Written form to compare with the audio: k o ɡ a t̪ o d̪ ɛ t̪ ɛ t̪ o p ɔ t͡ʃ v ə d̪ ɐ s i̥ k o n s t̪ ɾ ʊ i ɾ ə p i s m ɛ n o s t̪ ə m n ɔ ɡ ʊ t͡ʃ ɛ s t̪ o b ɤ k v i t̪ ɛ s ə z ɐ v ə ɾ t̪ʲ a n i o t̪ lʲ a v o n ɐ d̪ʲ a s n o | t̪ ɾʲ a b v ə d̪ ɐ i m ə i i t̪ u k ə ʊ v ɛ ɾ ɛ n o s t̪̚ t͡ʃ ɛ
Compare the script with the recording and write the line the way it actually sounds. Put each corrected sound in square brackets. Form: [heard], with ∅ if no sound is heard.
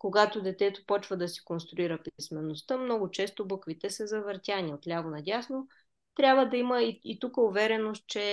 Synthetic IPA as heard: k o ɡ a t̪ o d̪ ɛ t̪ ɛ t̪ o p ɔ t͡ʃ v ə d̪ ɐ s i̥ k o n s t̪ ɾ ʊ i ɾ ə p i s m ɛ n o s t̪ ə m n ɔ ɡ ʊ t͡ʃ ɛ s t̪ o b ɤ k v i t̪ ɛ s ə z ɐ v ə ɾ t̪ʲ a n i o t̪ lʲ a v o n ɐ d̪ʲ a s n o | t̪ ɾʲ a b v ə d̪ ɐ i m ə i i t̪ u k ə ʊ v ɛ ɾ ɛ n o s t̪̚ t͡ʃ ɛ